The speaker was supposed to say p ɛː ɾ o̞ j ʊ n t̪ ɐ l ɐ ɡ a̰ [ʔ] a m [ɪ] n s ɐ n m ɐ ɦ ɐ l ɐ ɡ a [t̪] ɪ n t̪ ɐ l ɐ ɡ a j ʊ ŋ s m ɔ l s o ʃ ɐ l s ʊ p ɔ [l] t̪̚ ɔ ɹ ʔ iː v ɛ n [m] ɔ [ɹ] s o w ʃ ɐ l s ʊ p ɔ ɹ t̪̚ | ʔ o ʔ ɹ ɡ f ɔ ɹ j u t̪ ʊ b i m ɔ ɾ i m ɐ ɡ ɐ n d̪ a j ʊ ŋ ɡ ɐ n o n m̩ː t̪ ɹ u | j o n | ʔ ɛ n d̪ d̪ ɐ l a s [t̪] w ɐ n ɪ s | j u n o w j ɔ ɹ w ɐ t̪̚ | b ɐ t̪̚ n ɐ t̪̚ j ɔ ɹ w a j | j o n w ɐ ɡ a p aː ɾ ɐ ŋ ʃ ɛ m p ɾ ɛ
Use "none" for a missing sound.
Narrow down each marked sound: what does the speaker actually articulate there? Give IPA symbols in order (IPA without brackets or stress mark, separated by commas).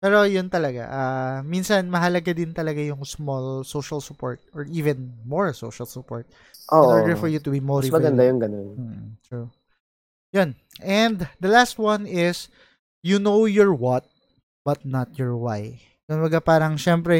ʔ, i, d̪, ɹ, m, ɹ, t̪